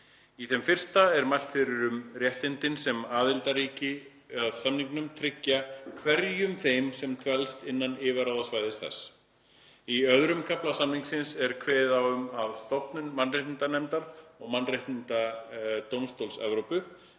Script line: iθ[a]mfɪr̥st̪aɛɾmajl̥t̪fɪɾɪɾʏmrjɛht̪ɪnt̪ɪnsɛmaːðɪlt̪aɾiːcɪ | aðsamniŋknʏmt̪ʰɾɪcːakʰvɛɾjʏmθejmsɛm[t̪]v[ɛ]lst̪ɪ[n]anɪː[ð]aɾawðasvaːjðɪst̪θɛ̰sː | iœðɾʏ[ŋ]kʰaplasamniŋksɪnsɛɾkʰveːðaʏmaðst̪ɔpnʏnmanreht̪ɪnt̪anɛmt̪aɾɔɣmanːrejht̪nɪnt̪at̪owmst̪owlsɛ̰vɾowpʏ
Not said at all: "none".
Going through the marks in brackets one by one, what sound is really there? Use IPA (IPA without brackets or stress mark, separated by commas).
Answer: ɛ, t̪ʰ, ɛ, nː, v, m